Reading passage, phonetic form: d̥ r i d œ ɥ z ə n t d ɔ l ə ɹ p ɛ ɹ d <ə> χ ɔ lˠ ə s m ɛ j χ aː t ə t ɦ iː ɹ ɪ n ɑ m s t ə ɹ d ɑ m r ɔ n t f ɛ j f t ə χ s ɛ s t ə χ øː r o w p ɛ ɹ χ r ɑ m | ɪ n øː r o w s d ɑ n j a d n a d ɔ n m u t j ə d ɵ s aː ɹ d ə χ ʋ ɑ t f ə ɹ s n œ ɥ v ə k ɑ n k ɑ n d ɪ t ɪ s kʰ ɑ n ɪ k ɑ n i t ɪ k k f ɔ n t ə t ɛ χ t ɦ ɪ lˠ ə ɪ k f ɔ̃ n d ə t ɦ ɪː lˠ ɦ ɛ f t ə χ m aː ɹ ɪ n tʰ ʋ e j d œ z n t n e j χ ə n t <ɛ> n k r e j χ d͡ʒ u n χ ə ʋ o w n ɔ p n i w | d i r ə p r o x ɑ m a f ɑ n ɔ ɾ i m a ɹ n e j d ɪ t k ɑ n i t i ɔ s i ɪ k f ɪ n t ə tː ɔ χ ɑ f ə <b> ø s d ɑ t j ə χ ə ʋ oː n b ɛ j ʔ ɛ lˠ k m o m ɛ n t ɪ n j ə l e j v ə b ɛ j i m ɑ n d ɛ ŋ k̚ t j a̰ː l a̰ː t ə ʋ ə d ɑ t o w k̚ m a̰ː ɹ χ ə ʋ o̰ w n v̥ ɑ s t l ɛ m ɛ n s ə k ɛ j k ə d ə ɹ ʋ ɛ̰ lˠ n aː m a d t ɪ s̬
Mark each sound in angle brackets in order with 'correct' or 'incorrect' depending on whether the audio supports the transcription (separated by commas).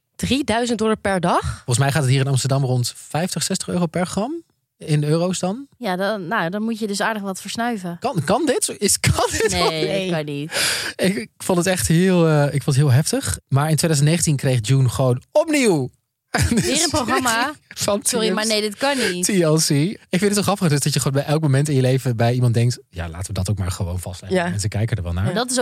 incorrect, incorrect, incorrect